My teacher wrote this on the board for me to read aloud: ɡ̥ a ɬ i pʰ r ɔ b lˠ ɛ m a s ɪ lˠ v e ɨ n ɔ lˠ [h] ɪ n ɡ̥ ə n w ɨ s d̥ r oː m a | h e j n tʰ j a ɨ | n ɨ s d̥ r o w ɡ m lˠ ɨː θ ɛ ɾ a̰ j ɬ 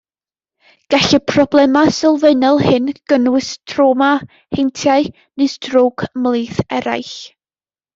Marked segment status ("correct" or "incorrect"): correct